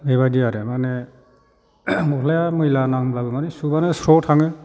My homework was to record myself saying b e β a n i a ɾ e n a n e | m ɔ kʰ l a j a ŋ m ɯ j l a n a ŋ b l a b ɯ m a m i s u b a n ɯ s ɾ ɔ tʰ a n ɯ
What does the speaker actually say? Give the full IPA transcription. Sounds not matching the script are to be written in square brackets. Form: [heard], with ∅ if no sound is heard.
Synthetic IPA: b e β a [d] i a ɾ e [m] a n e | m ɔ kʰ l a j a [∅] m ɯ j l a n a ŋ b l a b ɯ m a [n] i s u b a n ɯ s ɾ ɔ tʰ a [ŋ] ɯ